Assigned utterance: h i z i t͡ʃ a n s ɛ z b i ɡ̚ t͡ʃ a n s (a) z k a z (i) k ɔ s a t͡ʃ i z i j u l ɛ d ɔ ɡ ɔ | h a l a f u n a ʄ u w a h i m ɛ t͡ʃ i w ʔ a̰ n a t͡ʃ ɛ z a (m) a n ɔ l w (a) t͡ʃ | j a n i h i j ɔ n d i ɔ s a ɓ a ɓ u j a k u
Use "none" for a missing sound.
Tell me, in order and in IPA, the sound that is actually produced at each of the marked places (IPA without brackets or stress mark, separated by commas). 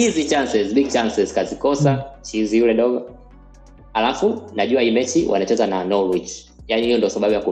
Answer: ɛ, i, n, i